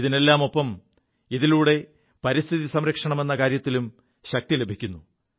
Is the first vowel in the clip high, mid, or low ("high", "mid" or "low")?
high